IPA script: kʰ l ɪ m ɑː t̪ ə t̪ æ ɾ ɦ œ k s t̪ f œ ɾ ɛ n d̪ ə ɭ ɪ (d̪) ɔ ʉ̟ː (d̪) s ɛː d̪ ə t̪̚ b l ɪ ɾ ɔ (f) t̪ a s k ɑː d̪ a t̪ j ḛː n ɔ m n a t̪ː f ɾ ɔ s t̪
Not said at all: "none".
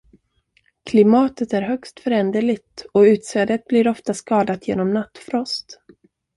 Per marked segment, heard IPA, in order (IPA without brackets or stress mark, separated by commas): t̪, t̪, f